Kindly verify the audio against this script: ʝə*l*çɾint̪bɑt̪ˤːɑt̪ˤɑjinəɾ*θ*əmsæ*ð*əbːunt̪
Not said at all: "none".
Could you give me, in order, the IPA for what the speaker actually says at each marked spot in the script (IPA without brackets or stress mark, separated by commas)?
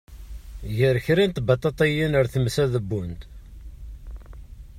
ɾ, θ, ð